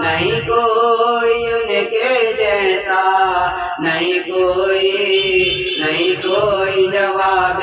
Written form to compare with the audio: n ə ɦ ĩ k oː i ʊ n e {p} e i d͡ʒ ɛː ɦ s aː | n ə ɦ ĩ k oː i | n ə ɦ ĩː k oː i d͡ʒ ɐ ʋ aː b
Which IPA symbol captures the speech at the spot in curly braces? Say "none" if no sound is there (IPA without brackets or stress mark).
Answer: k